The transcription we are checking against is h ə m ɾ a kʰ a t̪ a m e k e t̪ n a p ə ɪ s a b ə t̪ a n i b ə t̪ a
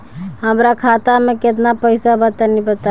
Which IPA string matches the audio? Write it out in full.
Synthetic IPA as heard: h ə m ɾ a kʰ a t̪ a m e k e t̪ n a p ə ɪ s a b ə t̪ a n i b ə t̪ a